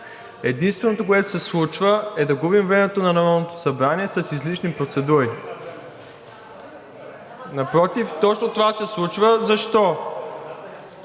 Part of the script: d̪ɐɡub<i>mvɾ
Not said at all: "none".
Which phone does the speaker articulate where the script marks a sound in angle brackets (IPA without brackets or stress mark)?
i